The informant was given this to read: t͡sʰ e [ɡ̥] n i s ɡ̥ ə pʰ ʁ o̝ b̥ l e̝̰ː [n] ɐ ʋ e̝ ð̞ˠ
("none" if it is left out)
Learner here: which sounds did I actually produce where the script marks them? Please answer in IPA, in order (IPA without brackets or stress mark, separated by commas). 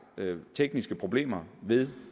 ɡ̥, m